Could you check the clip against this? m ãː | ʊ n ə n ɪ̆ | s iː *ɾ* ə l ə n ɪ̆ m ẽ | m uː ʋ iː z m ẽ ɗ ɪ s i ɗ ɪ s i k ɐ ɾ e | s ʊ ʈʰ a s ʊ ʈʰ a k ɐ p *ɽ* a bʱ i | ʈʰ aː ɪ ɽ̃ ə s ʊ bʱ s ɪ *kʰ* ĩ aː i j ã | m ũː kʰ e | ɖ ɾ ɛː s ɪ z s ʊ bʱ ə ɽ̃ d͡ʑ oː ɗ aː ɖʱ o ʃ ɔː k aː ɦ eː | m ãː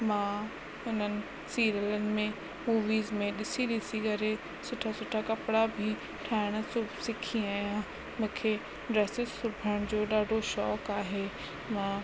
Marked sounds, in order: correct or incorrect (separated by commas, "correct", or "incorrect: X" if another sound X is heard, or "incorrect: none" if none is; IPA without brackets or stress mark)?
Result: correct, correct, correct